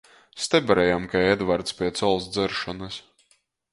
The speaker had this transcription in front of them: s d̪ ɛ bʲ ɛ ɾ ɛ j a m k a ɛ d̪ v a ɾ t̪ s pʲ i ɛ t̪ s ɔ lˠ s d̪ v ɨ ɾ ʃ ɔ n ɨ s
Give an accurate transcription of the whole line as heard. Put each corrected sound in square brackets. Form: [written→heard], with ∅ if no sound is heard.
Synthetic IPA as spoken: s [d̪→t̪] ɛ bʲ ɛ ɾ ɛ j a m k a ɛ d̪ v a ɾ t̪ s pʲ i ɛ t̪ s ɔ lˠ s d̪ [v→z] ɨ ɾ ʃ ɔ n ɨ s